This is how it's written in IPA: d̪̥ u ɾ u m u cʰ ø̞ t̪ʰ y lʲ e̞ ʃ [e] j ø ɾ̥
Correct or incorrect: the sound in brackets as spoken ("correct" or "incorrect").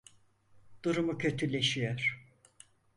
incorrect